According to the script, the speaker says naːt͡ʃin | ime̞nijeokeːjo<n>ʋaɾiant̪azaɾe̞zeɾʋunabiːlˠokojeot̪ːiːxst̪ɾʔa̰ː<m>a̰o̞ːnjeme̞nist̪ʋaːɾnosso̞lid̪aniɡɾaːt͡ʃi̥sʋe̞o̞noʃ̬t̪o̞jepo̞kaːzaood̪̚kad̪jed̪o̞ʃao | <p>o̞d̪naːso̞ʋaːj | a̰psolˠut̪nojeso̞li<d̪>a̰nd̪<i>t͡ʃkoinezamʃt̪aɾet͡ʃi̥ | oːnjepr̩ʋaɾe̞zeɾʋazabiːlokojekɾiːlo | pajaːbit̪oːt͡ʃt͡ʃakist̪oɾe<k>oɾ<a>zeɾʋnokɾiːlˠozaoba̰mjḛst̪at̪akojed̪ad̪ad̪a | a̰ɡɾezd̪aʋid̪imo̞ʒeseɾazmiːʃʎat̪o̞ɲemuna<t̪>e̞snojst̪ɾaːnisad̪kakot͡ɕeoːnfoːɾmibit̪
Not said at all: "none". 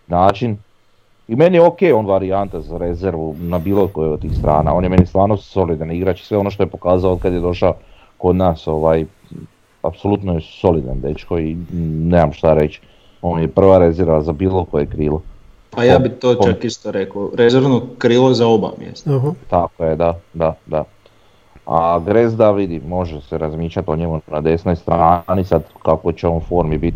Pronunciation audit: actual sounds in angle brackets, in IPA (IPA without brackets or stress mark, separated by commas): n, n, k, d̪, e, k, e, d̪